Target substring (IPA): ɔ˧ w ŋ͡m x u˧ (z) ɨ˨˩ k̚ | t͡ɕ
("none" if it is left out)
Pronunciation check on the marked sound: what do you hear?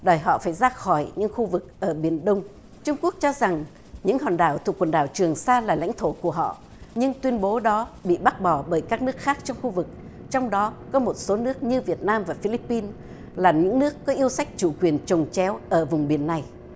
v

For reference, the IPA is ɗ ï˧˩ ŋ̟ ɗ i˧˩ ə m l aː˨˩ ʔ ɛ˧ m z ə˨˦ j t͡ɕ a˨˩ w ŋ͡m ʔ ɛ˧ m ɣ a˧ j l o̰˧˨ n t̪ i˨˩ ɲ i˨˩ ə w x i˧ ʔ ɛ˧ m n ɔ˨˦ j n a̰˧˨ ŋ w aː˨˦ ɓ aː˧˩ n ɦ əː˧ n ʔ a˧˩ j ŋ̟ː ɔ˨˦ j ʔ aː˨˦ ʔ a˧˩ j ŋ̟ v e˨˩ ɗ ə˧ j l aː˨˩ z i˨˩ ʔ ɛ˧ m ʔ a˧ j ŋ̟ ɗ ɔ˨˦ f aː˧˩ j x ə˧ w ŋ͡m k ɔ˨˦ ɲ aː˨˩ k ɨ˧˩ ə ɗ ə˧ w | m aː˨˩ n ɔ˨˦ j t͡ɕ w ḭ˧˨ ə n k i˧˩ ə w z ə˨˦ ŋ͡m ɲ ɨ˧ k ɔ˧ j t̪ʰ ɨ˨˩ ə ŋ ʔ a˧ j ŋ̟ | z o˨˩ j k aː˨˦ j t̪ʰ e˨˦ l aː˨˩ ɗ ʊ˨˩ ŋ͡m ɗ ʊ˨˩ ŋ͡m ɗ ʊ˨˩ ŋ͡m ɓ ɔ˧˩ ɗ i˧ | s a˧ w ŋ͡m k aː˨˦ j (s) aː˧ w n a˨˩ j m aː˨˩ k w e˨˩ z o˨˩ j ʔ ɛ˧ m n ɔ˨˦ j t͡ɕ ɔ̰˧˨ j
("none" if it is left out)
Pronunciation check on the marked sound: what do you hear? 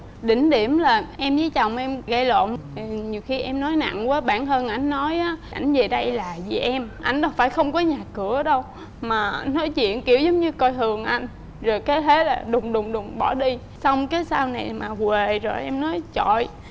s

